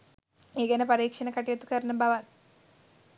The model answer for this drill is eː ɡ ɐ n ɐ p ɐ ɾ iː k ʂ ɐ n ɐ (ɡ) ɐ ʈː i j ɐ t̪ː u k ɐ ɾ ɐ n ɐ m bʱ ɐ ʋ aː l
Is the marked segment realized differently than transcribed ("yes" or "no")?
yes